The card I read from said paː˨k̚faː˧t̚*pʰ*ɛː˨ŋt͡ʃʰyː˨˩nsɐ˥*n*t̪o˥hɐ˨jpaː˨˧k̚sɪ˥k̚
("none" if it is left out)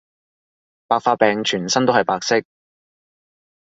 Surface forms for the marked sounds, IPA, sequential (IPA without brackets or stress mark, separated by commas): p, n